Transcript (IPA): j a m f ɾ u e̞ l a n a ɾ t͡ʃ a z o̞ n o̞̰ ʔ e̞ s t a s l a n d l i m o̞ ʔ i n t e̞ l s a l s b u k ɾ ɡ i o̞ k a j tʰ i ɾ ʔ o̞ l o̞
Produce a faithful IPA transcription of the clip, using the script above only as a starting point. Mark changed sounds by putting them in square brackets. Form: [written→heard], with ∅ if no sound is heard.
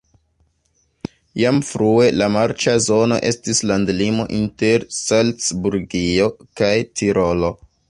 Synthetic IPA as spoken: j a m f ɾ u e̞ l a [n→m] a ɾ t͡ʃ a z o̞ n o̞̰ ʔ e̞ s t [a→i] s l a n d l i m o̞ ʔ i n t e̞ [l→ɾ] s a l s b u [k→∅] ɾ ɡ i o̞ k a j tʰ i ɾ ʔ o̞ l o̞